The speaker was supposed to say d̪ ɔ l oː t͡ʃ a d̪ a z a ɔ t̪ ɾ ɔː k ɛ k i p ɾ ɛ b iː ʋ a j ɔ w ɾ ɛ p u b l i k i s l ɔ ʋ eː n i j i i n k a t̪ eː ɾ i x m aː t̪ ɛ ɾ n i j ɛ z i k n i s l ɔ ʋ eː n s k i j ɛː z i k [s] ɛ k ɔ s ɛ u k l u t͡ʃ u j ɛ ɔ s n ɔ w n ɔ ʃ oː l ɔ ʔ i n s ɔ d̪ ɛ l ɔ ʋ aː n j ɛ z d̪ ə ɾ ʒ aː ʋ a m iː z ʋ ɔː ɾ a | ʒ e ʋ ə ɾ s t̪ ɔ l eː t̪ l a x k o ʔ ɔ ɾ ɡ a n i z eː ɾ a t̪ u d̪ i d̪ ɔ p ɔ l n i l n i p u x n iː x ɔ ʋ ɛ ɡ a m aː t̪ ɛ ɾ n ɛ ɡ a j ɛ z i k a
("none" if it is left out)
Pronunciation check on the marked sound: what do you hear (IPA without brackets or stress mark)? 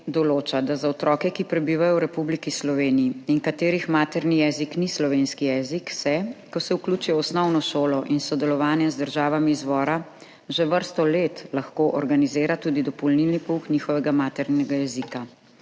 s